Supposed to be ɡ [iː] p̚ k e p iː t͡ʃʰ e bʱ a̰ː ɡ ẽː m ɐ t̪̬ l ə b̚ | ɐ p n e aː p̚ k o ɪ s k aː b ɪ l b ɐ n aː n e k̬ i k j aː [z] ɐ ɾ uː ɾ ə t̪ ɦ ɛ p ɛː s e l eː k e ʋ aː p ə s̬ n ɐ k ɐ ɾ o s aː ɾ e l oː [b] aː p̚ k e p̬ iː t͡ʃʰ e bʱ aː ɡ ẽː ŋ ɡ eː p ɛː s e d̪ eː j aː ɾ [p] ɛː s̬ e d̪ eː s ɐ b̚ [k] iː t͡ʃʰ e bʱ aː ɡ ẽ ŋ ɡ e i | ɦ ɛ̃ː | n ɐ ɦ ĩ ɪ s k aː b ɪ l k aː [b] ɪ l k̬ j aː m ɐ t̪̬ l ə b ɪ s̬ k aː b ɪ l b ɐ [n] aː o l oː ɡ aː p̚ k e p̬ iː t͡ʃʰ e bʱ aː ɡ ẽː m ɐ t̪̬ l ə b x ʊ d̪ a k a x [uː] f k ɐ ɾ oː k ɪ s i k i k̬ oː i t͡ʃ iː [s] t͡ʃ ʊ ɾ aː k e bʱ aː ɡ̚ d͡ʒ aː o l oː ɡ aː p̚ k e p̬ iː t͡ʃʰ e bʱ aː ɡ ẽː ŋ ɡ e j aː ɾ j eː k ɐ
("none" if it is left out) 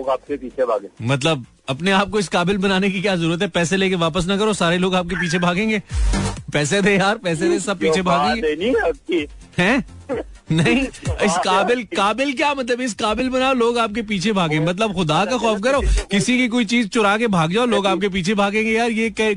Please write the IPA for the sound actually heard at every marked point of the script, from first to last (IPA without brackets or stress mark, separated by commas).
aː, z, ɡ, p, p, b, n, ɔː, z